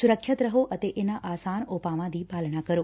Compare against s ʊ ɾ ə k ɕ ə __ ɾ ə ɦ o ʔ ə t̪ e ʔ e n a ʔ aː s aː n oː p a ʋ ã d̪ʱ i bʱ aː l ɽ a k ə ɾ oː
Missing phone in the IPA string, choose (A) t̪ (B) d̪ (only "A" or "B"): A